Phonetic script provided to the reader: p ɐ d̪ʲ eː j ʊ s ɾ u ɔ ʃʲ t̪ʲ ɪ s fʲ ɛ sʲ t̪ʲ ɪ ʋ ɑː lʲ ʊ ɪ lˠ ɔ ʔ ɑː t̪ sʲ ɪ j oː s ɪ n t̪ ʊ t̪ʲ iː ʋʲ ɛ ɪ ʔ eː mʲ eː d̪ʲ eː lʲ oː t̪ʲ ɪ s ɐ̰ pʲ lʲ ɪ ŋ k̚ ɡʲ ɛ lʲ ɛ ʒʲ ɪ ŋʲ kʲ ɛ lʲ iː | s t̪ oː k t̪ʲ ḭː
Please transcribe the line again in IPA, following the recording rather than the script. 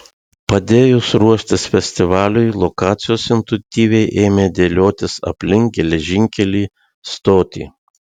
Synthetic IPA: p ɐ d̪ʲ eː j ʊ s ɾ u ɔ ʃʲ t̪ʲ ɪ s fʲ ɛ sʲ t̪ʲ ɪ ʋ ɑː lʲ ʊ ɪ lˠ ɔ k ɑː t̪ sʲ ɪ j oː s ɪ n t̪ ʊ t̪ʲ iː ʋʲ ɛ ɪ ʔ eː mʲ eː d̪ʲ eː lʲ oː t̪ʲ ɪ s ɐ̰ pʲ lʲ ɪ ŋ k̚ ɡʲ ɛ lʲ ɛ ʒʲ ɪ ŋʲ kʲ ɛ lʲ iː | s t̪ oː t̪ʲ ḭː